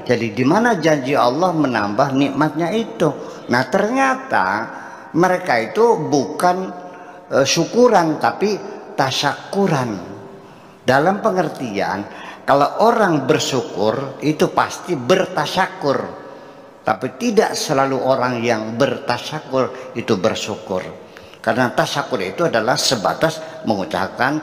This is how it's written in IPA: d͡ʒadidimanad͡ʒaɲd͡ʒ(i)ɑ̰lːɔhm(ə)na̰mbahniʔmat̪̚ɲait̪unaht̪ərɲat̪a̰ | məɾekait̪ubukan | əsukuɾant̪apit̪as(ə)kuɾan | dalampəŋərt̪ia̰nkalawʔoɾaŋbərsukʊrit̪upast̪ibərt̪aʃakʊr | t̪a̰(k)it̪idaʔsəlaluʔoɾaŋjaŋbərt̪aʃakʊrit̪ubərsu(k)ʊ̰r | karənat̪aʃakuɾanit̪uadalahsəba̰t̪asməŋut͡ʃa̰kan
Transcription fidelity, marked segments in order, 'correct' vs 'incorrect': correct, correct, incorrect: a, incorrect: p, correct

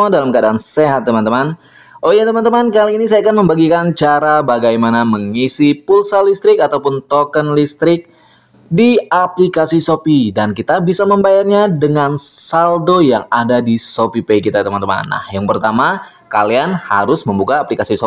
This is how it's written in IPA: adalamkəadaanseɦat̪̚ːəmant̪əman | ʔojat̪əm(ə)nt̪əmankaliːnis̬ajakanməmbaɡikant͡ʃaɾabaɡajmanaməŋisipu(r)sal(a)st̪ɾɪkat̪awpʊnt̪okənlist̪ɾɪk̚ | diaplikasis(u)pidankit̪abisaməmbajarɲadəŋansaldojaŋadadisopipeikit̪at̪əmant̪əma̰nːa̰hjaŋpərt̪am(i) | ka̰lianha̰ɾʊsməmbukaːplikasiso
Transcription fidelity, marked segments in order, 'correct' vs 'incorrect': incorrect: a, incorrect: l, incorrect: i, incorrect: o, incorrect: a

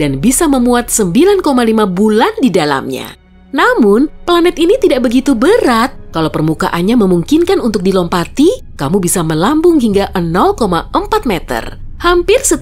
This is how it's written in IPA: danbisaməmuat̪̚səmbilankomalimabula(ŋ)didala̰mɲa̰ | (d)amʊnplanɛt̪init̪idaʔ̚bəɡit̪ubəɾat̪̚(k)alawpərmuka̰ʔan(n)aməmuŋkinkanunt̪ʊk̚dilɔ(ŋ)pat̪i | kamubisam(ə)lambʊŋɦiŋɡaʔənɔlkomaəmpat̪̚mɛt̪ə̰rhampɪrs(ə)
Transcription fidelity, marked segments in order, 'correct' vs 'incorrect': incorrect: n, incorrect: n, correct, incorrect: ɲ, incorrect: m, correct, correct

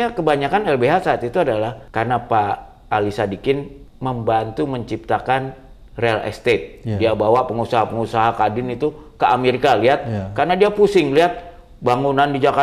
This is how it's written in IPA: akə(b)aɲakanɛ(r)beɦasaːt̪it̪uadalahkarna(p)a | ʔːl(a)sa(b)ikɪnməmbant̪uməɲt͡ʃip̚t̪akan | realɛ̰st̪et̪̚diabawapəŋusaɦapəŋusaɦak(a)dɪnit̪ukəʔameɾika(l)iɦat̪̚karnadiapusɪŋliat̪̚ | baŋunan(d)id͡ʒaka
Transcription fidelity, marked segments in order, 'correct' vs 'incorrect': correct, incorrect: l, correct, incorrect: i, incorrect: d, correct, correct, correct

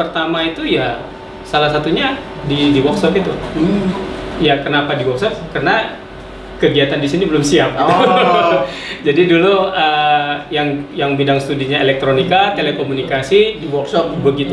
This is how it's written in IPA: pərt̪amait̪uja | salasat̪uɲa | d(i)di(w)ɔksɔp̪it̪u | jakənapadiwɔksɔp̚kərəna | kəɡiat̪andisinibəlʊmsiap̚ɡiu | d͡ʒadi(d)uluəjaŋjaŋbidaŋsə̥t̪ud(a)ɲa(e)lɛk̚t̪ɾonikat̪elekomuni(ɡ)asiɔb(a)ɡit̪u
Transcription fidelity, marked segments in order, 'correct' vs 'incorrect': correct, correct, correct, incorrect: i, correct, incorrect: k, incorrect: ə

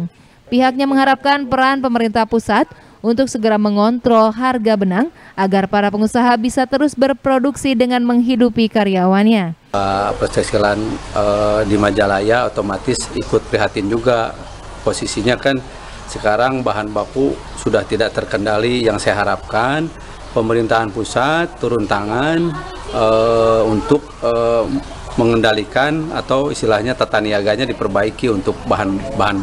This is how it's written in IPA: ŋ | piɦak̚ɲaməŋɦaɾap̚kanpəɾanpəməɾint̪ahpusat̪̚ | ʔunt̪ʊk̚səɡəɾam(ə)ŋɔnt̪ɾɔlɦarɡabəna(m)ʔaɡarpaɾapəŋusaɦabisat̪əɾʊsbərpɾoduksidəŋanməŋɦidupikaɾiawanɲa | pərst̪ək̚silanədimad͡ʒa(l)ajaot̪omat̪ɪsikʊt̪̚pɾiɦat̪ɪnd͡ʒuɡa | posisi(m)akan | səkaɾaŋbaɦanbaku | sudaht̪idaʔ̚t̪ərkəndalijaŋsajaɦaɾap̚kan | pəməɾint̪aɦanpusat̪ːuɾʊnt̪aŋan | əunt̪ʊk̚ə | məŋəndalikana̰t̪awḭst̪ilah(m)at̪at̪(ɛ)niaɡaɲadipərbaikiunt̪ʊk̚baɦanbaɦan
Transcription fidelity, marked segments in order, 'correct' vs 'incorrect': correct, incorrect: ŋ, correct, incorrect: ɲ, incorrect: ɲ, incorrect: a

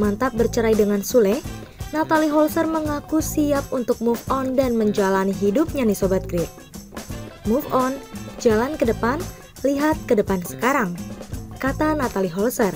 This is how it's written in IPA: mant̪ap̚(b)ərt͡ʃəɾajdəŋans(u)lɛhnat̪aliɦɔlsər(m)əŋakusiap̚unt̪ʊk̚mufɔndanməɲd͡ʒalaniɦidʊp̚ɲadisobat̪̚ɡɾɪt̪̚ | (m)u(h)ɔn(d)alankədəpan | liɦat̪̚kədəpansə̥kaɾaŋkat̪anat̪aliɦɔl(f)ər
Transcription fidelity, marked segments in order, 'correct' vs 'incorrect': correct, correct, correct, correct, incorrect: f, incorrect: d͡ʒ, incorrect: s

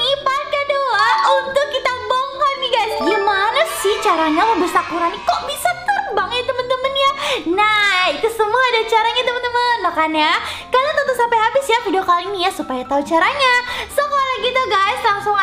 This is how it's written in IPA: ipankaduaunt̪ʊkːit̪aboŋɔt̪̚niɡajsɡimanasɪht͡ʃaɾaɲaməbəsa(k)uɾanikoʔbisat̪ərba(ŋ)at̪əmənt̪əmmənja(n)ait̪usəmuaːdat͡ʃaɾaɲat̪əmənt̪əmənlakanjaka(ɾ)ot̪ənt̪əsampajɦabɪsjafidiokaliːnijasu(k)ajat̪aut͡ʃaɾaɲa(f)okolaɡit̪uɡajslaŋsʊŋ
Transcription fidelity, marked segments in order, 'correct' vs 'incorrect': correct, correct, correct, incorrect: l, incorrect: p, incorrect: s

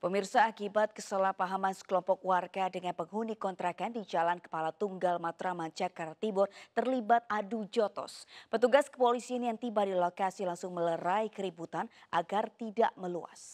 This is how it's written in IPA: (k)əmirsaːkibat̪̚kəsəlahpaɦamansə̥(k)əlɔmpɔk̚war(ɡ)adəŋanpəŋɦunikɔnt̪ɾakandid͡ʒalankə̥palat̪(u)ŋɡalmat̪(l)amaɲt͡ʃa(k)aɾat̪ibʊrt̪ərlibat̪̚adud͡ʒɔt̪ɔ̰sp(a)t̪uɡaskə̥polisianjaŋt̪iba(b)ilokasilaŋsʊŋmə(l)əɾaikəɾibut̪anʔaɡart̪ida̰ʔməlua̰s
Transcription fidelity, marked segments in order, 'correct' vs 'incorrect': incorrect: p, correct, correct, correct, incorrect: ɾ, correct, incorrect: ə, incorrect: d, correct

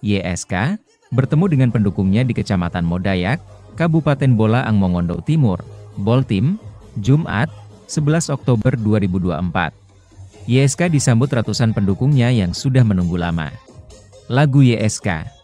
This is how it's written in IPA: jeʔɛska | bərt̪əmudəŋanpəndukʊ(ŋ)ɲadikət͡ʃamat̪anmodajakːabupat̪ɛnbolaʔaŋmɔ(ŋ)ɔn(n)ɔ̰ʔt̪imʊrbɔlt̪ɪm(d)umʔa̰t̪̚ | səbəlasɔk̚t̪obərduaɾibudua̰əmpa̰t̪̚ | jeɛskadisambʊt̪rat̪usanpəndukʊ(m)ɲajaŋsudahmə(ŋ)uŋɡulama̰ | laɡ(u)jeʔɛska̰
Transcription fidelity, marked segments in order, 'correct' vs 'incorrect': correct, correct, incorrect: d, incorrect: d͡ʒ, incorrect: ŋ, incorrect: n, correct

